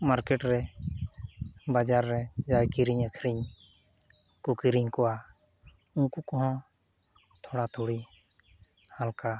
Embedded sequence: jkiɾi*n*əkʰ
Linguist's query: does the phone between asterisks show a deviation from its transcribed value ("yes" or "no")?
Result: yes